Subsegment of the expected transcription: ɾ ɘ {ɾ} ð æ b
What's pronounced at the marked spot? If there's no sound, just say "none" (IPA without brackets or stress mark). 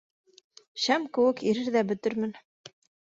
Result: ɾ